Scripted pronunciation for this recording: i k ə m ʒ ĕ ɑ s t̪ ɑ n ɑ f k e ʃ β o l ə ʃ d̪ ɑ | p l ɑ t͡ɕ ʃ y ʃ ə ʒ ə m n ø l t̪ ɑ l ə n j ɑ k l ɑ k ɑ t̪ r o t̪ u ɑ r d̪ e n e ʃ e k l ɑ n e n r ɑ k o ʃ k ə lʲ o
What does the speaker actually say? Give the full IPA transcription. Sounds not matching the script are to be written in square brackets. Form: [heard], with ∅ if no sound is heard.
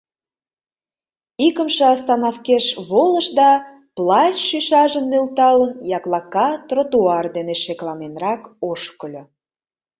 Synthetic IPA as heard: i k ə m [ʃ] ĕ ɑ s t̪ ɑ n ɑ f k e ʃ β o l ə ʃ d̪ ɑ | p l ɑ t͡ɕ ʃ y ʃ [ɑ] ʒ ə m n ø l t̪ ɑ l ə n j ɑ k l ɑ k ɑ t̪ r o t̪ u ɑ r d̪ e n e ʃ e k l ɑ n e n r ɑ k o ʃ k ə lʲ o